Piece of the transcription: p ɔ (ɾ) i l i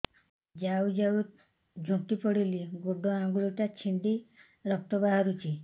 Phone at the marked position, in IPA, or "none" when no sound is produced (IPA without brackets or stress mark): ɽ